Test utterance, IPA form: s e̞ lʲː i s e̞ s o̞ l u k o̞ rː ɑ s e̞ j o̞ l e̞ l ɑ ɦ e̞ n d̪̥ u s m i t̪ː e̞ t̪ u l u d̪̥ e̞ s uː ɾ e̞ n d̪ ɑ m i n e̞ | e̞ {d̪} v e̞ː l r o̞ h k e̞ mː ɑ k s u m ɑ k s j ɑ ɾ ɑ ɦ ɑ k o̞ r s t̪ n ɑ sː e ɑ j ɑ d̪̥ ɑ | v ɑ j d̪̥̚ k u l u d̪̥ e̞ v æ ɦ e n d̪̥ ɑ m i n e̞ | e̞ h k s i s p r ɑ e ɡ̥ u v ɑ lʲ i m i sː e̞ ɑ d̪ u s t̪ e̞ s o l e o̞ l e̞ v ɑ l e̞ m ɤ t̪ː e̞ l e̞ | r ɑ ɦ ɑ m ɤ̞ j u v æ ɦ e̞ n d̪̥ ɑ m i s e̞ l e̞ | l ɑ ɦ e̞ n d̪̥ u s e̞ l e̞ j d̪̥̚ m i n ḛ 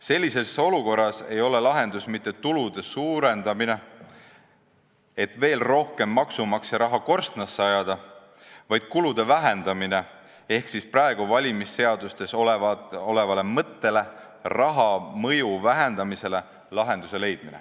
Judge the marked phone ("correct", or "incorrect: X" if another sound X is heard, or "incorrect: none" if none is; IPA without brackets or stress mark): incorrect: t̪